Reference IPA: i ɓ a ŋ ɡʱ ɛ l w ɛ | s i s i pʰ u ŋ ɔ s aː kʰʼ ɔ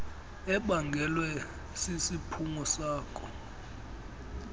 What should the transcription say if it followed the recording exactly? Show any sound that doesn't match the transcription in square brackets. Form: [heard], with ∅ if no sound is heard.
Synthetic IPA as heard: [ɛ] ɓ a ŋ ɡʱ ɛ l w ɛ | s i s i pʰ u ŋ ɔ s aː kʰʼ ɔ